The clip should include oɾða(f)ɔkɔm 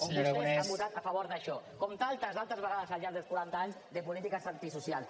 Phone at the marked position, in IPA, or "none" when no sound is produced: ʃ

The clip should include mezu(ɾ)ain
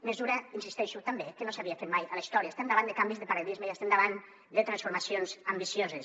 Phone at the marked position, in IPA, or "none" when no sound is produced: ɾ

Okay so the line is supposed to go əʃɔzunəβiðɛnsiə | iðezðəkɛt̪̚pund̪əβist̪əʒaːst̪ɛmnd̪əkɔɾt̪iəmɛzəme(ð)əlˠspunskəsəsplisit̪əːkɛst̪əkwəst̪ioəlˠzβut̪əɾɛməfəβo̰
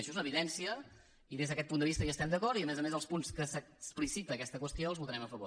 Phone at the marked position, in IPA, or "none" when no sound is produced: z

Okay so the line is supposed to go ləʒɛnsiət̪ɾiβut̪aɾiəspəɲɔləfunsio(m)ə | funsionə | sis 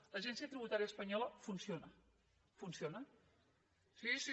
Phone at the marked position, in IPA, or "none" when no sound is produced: n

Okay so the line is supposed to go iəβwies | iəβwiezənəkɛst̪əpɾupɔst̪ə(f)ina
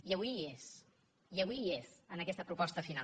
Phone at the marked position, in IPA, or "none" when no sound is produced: f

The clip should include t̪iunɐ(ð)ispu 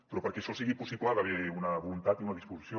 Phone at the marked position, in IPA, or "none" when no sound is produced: ð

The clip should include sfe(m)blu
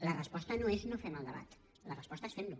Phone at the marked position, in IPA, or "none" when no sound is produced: m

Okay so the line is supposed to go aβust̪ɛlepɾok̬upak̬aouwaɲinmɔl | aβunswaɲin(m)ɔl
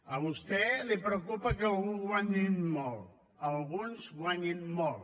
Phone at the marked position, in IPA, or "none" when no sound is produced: m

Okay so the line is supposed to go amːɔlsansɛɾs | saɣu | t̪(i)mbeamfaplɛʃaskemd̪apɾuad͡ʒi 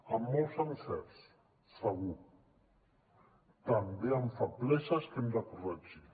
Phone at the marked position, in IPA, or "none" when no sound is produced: a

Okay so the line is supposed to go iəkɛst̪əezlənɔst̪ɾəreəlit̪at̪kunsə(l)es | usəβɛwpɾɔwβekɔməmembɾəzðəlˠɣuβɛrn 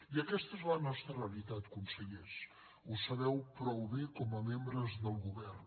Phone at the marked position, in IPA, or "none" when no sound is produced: ʎ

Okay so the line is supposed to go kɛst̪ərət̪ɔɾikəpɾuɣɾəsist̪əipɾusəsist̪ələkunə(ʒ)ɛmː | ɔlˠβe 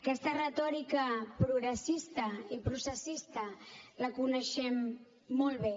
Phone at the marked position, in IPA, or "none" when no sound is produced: ʃ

